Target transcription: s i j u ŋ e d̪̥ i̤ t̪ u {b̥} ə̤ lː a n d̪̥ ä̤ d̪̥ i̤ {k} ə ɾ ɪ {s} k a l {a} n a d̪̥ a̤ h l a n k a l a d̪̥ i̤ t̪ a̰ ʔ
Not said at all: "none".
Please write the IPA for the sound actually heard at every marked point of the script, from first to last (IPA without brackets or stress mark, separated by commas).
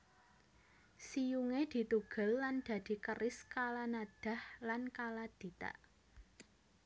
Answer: ɡ̥, k, s, a